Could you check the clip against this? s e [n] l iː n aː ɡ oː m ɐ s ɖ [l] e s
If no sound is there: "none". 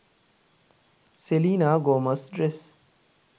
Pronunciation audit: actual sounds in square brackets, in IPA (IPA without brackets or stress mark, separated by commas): none, ɾ